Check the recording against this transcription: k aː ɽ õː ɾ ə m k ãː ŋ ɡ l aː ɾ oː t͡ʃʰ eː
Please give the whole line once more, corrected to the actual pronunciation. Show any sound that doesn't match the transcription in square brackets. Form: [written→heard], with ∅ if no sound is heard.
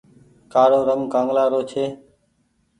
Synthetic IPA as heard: k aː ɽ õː ɾ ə [m→ŋ] k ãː ŋ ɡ l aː ɾ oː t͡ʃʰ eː